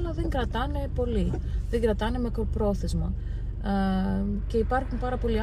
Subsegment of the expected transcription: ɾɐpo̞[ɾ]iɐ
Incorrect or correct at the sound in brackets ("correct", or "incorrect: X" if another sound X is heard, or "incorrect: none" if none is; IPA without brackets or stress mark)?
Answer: incorrect: l